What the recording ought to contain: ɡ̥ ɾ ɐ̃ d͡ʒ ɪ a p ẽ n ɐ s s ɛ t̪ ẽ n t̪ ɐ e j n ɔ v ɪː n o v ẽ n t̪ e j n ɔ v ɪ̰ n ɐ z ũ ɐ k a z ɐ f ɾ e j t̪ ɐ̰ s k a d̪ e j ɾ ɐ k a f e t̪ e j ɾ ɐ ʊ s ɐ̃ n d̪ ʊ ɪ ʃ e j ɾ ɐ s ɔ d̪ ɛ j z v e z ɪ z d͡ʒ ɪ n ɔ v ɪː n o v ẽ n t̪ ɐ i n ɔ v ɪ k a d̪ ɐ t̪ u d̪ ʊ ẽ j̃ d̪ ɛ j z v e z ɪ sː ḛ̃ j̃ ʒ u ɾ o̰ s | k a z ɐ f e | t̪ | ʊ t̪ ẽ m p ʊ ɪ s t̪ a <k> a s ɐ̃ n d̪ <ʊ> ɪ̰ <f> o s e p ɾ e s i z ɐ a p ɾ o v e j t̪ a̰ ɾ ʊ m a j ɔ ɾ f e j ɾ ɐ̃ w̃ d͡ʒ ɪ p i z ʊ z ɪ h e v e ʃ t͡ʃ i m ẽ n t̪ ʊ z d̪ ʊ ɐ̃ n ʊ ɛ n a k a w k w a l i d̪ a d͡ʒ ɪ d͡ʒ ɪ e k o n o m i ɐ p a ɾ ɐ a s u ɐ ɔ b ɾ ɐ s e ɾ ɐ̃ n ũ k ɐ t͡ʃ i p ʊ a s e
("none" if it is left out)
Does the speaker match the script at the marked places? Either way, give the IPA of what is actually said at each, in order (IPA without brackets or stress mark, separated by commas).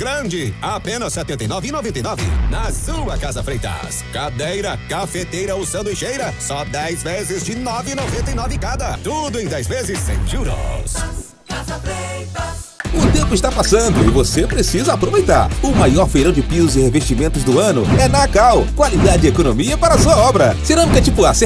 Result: p, ʊ, v